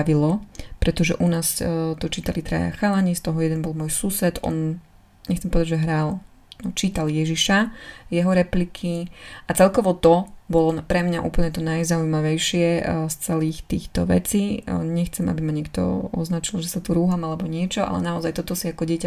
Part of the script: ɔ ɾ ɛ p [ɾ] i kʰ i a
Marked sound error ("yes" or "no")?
yes